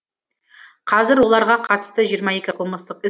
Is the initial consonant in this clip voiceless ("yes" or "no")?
yes